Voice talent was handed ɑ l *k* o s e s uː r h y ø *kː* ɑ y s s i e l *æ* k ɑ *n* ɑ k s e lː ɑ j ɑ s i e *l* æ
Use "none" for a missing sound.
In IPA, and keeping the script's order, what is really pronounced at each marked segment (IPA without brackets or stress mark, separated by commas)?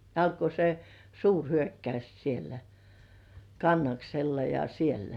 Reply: k, kː, æ, nː, lː